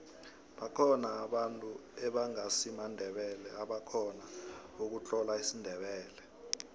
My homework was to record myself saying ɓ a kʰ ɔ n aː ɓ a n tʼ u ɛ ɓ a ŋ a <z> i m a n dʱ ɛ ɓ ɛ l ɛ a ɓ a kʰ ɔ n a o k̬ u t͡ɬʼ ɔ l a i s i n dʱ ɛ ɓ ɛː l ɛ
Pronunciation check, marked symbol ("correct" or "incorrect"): incorrect